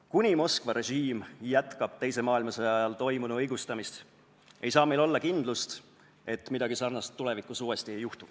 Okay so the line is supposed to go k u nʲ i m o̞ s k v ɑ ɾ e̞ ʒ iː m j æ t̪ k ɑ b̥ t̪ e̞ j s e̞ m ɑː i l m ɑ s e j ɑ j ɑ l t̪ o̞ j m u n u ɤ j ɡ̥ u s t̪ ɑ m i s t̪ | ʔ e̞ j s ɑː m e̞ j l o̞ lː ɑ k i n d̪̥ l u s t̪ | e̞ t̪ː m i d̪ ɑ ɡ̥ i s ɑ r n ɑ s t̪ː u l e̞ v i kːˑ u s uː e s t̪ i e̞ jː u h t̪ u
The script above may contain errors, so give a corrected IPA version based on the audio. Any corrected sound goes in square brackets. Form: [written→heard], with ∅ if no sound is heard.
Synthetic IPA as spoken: k u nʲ i m o̞ s k v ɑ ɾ e̞ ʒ iː m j æ t̪ k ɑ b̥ t̪ e̞ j s e̞ m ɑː i l m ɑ s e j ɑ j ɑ l t̪ o̞ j m u n u ɤ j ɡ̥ u s t̪ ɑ m i s t̪ | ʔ e̞ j s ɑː m e̞ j l o̞ lː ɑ k i n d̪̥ l u s t̪ | e̞ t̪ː m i d̪ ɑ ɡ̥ i s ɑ r n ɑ s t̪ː u l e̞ v i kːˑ u s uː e s t̪ i e̞ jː u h t̪ u